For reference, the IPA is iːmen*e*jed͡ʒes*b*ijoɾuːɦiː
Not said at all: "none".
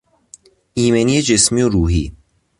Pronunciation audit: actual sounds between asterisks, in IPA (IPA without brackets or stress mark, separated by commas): i, m